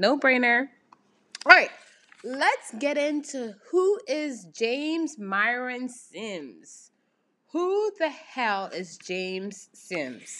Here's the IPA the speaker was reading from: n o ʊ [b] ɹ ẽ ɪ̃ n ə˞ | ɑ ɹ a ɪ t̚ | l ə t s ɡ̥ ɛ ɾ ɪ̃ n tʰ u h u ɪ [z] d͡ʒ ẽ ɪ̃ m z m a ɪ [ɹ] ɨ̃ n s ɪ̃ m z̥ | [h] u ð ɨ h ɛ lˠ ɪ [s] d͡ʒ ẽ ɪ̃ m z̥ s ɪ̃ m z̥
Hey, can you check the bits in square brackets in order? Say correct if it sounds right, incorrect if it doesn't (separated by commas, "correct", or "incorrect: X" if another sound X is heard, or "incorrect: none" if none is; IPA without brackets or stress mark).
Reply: correct, correct, correct, correct, incorrect: z